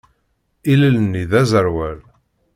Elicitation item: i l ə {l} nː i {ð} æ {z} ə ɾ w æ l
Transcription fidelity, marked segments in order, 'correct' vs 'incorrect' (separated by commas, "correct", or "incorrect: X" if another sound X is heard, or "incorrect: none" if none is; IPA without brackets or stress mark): correct, correct, correct